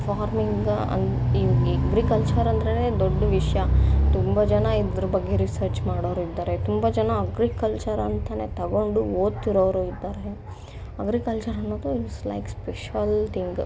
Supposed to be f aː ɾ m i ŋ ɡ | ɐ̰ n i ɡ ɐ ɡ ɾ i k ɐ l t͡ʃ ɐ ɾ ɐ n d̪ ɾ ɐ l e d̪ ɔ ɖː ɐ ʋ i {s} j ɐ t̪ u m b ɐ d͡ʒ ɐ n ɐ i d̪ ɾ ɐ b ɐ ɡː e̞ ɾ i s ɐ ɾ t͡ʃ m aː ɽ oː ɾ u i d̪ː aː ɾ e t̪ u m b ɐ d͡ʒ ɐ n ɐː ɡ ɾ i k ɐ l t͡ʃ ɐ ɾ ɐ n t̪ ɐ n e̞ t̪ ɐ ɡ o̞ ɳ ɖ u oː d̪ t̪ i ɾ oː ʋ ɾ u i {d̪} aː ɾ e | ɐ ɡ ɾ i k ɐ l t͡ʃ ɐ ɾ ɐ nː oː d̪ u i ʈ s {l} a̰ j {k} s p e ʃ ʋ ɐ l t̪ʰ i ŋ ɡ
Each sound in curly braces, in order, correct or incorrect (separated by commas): incorrect, incorrect, correct, correct